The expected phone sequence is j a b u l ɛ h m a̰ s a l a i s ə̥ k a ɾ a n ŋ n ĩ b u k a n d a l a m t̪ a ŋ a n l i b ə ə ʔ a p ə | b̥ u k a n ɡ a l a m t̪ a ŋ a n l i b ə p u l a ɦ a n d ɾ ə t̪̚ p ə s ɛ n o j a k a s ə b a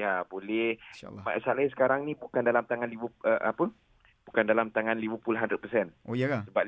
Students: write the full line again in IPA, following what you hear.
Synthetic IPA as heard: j a b o l ɛ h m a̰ s a l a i s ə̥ k a ɾ a ŋ n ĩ b u k a n d a l a m t̪ a ŋ a n l i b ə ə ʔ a p ə | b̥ u k a n d a l a m t̪ a ŋ a n l i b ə p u l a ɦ a n d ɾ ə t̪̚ p ə s ɛ n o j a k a s ə b a